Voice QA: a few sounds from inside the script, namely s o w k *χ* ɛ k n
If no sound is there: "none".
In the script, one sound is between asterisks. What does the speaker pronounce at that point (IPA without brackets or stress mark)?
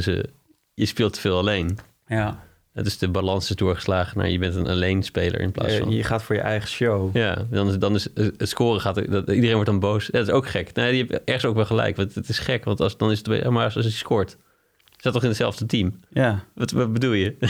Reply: χ